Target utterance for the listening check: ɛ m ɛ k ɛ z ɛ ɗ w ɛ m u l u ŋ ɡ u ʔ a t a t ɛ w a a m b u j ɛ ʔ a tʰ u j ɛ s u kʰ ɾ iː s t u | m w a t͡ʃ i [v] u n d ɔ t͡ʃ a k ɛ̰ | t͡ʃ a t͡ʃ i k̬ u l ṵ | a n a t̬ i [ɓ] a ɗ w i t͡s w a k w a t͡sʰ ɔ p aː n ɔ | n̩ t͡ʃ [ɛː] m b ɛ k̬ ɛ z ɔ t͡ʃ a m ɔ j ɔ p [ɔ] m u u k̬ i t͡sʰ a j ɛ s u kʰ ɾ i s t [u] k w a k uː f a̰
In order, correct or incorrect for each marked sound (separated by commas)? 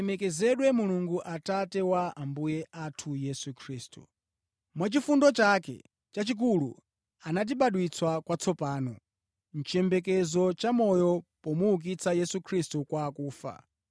incorrect, correct, incorrect, correct, correct